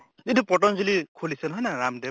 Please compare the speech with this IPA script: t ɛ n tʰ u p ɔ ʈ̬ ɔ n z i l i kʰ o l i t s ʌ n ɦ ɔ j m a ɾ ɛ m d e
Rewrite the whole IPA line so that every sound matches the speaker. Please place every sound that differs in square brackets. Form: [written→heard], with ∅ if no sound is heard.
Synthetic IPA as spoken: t [ɛ→i] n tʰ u p ɔ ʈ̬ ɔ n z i l i kʰ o l i [t→∅] s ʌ n ɦ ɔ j [m→n] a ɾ [ɛ→a] m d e